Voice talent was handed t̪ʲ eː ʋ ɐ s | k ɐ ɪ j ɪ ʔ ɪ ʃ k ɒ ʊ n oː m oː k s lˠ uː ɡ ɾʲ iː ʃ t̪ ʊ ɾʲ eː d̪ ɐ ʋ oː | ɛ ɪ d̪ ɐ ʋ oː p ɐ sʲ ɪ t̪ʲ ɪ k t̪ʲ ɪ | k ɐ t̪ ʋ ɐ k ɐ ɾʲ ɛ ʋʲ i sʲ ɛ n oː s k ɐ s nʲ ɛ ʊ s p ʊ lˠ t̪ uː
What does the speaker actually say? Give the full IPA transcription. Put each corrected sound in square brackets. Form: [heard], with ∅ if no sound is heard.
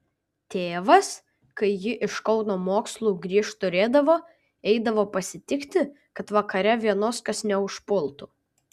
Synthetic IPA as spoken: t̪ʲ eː ʋ ɐ s | k ɐ ɪ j ɪ ʔ ɪ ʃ k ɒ ʊ n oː m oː k s lˠ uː ɡ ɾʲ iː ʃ t̪ ʊ ɾʲ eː d̪ ɐ ʋ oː | ɛ ɪ d̪ ɐ ʋ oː p ɐ sʲ ɪ t̪ʲ ɪ k t̪ʲ ɪ | k ɐ t̪ ʋ ɐ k ɐ ɾʲ ɛ ʋʲ i [∅] ɛ n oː s k ɐ s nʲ ɛ ʊ [ʃ] p ʊ lˠ t̪ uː